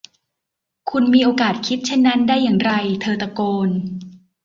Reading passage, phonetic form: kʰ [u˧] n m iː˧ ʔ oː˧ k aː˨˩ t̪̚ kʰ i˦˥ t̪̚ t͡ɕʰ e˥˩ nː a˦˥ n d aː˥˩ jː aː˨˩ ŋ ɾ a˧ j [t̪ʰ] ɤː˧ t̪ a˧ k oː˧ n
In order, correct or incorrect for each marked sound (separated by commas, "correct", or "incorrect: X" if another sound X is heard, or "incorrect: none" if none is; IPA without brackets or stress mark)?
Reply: correct, correct